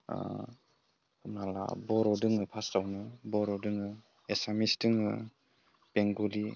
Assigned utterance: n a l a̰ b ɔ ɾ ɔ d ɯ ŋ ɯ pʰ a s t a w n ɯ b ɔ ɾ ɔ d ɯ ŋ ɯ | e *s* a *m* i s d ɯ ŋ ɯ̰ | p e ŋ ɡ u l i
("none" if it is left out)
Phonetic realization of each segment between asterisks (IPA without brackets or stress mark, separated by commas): s, m